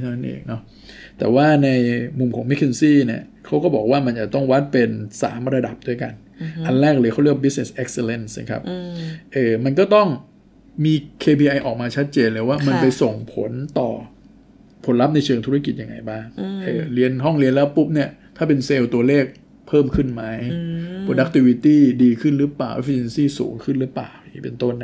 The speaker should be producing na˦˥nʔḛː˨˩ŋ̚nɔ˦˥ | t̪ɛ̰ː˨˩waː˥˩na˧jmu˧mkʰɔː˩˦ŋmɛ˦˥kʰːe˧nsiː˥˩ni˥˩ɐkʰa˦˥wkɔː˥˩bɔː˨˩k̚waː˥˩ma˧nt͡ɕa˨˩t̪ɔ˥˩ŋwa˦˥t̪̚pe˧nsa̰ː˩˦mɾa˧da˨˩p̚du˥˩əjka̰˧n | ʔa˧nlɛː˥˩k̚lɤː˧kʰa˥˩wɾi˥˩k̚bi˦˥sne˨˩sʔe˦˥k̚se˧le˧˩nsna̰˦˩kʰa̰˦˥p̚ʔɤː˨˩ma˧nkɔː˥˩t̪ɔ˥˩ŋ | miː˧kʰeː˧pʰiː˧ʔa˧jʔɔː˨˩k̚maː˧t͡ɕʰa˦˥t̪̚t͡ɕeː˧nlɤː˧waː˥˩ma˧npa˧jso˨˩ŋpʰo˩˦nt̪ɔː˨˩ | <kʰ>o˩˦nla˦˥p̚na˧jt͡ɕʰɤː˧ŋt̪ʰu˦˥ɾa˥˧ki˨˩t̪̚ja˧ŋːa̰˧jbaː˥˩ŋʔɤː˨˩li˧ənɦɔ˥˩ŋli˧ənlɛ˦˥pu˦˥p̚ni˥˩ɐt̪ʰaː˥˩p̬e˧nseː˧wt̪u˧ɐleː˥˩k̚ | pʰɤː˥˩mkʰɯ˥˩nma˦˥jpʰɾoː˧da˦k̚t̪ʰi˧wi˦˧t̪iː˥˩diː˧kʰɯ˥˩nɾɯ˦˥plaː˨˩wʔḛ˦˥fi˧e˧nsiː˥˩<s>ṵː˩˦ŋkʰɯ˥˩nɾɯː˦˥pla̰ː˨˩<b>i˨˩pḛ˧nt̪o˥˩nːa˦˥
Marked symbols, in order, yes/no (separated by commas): no, yes, no